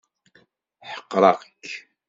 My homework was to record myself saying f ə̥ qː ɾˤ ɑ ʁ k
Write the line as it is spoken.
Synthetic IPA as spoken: ħ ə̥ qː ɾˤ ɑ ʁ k